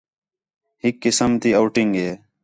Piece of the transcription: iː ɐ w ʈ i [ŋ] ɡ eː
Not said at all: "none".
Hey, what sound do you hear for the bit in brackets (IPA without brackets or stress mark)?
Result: ŋ